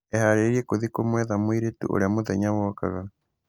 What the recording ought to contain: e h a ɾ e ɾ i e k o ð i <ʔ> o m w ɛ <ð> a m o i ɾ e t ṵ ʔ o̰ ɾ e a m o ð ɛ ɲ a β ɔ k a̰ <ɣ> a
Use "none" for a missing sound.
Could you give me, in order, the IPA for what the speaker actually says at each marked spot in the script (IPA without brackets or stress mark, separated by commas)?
k, ð, ɣ